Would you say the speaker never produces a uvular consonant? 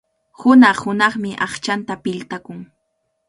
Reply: no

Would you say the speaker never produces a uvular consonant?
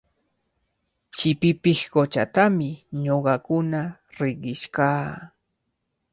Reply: no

